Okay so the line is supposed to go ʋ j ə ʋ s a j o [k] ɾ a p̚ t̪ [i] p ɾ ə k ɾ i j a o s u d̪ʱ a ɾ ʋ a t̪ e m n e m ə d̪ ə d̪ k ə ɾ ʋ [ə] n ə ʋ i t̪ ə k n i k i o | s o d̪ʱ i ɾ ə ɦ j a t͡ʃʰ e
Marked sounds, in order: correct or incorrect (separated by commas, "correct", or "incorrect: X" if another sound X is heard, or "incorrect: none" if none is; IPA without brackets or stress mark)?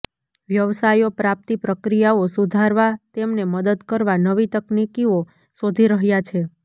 incorrect: p, correct, incorrect: a